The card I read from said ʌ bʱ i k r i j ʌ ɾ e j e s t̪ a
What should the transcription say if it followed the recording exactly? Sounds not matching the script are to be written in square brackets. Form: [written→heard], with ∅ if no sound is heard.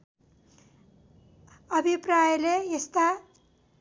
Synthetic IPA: ʌ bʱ i [k→p] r [i→a] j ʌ [ɾ→l] e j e s t̪ a